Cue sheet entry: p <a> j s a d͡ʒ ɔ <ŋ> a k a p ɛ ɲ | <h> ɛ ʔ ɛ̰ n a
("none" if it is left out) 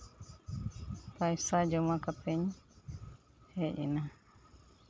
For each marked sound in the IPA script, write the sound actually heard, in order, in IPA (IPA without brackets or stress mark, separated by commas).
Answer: a, m, h